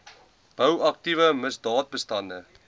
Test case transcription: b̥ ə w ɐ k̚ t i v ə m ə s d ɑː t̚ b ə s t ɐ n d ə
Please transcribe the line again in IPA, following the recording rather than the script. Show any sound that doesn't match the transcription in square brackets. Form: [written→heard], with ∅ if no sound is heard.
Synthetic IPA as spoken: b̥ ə w ɐ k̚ t i v ə m ə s d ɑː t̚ b ə s t ɐ n d ə